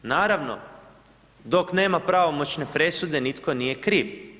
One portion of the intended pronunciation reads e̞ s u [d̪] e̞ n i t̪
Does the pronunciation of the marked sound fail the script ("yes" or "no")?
no